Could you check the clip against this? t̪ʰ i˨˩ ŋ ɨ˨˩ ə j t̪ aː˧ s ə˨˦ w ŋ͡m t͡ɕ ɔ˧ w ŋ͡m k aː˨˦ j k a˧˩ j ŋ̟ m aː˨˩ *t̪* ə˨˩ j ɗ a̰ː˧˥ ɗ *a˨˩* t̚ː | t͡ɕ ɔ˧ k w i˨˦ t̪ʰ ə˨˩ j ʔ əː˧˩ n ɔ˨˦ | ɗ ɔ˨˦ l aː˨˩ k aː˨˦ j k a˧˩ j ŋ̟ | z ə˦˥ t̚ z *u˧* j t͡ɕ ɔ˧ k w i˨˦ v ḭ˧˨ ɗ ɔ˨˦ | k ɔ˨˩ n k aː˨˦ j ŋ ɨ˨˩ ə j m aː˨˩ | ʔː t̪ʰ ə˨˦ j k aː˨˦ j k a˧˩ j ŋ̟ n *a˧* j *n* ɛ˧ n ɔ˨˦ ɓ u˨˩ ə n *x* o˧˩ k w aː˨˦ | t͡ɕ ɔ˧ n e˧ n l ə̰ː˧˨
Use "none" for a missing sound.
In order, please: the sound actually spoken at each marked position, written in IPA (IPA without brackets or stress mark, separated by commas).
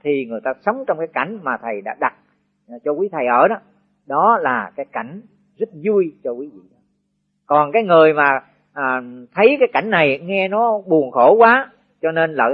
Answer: t̪ʰ, a˨˩, u˧, a˨˩, ŋ, x